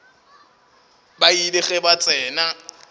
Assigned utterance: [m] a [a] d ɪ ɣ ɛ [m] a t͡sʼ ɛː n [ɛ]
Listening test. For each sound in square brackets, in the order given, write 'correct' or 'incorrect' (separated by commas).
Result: incorrect, incorrect, incorrect, incorrect